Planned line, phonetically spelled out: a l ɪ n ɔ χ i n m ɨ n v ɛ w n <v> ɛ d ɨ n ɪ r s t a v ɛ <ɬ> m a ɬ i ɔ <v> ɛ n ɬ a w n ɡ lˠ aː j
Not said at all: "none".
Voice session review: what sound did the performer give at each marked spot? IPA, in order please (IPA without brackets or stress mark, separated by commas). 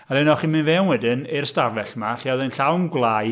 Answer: w, ɬ, ð